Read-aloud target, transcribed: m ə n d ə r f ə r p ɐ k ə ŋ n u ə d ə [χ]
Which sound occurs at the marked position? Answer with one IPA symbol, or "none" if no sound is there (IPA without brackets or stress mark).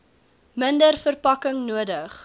χ